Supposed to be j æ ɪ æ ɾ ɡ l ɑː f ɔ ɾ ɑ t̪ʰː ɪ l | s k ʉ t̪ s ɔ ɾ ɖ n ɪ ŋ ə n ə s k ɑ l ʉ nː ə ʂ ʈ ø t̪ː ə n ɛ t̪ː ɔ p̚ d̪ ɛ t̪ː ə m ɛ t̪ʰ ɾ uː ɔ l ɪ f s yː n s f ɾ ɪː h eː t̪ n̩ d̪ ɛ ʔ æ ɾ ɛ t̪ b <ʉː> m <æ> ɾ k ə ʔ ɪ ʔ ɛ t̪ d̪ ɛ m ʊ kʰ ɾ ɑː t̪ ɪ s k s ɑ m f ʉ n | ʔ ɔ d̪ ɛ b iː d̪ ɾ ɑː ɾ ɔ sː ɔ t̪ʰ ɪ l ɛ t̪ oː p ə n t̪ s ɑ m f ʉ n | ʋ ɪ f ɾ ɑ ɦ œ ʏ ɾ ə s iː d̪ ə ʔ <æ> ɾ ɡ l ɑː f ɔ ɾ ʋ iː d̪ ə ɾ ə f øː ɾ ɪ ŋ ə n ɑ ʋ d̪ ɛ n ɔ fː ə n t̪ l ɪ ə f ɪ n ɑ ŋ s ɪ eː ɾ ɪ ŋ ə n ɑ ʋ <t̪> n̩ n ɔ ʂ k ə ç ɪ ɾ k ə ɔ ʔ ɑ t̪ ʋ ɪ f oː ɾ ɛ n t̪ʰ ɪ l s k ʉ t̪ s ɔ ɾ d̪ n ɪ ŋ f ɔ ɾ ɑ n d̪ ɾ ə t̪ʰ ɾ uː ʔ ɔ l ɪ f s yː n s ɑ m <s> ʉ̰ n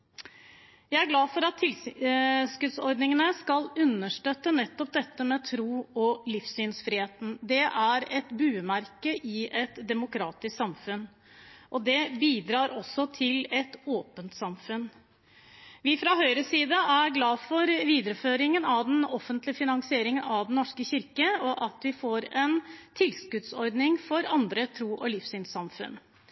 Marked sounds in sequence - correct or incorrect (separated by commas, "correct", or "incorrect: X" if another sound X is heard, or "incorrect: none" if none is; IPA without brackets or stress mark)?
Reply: correct, correct, correct, incorrect: d̪, incorrect: f